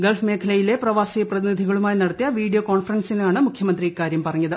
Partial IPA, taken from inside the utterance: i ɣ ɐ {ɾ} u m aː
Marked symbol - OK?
no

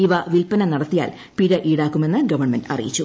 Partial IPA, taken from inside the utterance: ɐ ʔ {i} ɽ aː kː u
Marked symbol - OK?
no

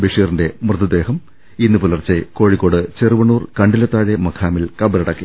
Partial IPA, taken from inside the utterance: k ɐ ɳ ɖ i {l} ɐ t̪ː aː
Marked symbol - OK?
yes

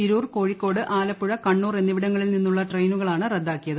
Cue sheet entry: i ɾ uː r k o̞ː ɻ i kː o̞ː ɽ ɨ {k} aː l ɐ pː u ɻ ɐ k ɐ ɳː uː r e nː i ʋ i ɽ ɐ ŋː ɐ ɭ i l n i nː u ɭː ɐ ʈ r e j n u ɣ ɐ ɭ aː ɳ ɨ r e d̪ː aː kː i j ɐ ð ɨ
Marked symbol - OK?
no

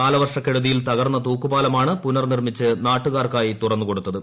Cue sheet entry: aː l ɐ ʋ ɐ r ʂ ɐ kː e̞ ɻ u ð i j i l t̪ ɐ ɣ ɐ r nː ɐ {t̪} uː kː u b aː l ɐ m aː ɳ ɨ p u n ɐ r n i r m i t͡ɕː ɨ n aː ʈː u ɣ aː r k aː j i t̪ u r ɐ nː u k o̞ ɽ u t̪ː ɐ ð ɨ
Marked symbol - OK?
yes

